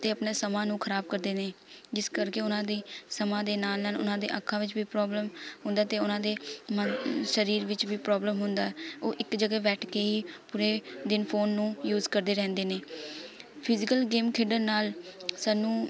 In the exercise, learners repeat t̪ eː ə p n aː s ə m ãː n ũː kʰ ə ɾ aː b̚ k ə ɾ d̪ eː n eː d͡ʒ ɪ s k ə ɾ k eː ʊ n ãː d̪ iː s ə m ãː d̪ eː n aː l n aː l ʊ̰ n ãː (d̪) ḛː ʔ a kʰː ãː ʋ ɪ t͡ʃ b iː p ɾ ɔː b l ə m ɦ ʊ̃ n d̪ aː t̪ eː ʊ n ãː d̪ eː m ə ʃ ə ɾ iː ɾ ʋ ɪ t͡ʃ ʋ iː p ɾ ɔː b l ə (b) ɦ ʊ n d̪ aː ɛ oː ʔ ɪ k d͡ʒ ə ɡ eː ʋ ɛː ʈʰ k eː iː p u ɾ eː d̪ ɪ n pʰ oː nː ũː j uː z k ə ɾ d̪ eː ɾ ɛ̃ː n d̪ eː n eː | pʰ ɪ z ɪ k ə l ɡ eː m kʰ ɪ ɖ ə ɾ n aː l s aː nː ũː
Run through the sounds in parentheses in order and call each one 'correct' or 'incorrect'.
correct, incorrect: m

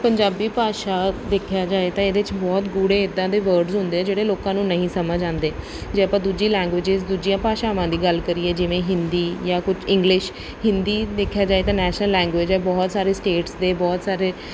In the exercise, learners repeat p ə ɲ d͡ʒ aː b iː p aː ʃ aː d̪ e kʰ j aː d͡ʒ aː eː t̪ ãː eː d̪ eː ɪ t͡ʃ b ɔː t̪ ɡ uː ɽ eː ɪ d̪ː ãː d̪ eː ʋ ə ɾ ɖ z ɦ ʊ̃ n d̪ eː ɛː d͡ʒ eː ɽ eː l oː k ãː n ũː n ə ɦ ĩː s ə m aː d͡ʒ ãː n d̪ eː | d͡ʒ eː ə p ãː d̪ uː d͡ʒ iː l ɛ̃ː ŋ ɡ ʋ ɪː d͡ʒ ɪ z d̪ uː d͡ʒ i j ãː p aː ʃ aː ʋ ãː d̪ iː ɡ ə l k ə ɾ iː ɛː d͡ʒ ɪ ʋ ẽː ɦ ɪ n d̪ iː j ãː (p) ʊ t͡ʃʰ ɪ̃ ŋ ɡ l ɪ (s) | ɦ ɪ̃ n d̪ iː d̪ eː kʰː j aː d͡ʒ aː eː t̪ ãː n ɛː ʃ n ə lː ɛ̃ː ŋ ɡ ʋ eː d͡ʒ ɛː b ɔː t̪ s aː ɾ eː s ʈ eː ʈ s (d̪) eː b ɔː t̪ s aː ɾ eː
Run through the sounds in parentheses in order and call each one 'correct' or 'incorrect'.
incorrect: k, incorrect: ʃ, correct

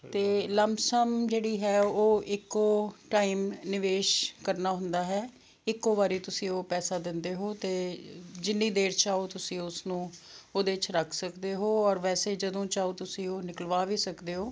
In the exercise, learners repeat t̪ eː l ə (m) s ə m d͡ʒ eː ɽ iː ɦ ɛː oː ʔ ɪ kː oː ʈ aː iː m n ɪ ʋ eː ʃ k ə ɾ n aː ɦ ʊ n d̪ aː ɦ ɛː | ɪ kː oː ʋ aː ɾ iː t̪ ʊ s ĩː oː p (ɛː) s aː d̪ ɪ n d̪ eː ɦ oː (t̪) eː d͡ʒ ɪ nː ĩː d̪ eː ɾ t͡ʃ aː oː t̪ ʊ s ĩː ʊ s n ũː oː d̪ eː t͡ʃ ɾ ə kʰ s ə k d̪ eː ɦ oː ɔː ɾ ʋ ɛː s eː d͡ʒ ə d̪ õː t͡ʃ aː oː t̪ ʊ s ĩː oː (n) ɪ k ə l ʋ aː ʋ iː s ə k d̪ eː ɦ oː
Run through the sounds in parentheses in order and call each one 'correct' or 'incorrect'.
correct, correct, correct, correct

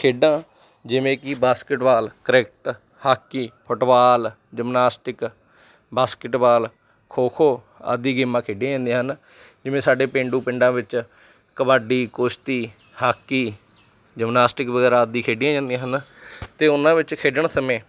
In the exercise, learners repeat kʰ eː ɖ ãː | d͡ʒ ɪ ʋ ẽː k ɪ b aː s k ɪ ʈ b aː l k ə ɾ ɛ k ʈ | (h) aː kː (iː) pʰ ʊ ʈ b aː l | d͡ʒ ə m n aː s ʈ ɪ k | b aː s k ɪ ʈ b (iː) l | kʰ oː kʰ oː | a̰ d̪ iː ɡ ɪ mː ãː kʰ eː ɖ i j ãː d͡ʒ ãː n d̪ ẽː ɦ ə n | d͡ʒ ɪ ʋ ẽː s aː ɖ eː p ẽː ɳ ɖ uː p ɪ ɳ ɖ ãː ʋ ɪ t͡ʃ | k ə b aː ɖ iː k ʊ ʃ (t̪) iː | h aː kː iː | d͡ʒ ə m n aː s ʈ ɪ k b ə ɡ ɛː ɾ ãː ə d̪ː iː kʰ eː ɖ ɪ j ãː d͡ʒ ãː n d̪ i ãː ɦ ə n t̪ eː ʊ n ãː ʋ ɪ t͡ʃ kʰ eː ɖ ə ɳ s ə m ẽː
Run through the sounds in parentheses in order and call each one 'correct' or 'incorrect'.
correct, correct, incorrect: aː, correct

